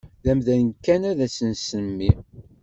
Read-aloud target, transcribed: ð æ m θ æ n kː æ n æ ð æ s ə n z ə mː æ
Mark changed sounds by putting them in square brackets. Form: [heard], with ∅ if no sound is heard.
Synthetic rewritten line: ð æ m [ð] æ n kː æ n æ ð æ s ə n [s] ə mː [i]